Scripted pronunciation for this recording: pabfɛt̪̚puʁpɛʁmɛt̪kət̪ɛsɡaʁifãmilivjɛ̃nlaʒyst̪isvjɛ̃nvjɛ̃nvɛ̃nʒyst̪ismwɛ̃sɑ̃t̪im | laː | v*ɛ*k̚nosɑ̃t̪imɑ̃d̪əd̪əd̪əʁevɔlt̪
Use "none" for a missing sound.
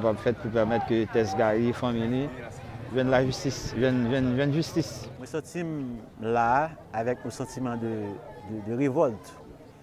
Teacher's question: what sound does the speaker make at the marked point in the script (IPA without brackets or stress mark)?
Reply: ɛ